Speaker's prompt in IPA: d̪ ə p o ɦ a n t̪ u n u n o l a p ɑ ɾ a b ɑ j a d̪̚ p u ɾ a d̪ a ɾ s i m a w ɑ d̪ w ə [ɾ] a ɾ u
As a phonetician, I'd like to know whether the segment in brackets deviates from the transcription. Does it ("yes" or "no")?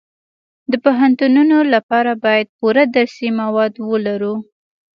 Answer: yes